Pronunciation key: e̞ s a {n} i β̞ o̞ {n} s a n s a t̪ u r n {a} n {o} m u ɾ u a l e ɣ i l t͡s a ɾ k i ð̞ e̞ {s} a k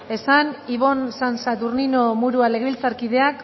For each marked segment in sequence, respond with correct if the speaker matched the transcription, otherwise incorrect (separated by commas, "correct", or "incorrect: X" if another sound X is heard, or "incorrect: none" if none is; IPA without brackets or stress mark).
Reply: correct, correct, incorrect: i, correct, incorrect: none